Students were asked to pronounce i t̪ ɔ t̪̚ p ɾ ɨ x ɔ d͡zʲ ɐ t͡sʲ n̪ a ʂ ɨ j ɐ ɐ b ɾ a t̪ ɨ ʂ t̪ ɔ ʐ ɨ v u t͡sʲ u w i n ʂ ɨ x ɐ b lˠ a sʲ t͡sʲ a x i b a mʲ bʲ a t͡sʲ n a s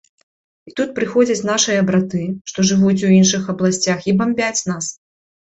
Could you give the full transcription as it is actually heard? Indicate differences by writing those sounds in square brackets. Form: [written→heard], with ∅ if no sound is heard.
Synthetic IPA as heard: i t̪ [ɔ→u] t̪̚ p ɾ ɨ x ɔ d͡zʲ ɐ t͡sʲ n̪ a ʂ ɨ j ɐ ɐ b ɾ a t̪ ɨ ʂ t̪ ɔ ʐ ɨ v u t͡sʲ u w i n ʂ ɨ x ɐ b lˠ a sʲ t͡sʲ a x i b a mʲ bʲ a t͡sʲ n a s